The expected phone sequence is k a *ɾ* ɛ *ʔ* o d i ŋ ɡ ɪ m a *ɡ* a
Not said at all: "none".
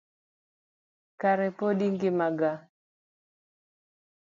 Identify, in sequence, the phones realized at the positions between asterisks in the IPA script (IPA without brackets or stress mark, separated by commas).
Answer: ɾ, p, ɡ